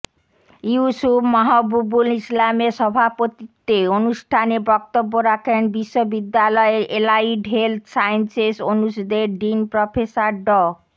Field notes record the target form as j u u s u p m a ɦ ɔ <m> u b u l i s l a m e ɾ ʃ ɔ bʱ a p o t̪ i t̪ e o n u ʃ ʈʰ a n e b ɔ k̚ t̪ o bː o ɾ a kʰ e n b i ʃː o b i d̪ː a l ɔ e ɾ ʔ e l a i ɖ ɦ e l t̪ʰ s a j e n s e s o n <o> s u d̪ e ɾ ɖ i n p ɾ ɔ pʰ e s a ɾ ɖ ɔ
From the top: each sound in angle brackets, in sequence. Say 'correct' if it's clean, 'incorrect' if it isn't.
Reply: incorrect: b, incorrect: u

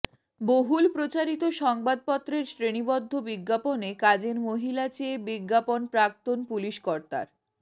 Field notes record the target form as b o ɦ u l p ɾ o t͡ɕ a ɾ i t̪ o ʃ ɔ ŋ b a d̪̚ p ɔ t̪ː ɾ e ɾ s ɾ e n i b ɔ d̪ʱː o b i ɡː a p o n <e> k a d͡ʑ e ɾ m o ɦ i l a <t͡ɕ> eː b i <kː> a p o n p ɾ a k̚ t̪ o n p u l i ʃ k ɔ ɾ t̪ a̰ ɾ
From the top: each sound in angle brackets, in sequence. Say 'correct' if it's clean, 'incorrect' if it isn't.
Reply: correct, correct, incorrect: ɡː

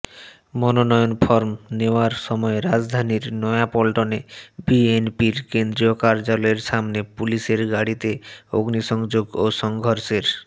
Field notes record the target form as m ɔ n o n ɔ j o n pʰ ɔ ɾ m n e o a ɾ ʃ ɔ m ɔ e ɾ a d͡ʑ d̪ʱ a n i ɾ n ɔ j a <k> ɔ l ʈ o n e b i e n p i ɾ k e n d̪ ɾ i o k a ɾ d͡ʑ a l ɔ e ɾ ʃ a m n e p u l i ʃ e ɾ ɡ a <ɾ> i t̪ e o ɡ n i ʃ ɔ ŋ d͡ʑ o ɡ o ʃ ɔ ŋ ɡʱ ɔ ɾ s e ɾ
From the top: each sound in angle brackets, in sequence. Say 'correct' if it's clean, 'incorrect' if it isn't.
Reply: incorrect: p, incorrect: ɽ

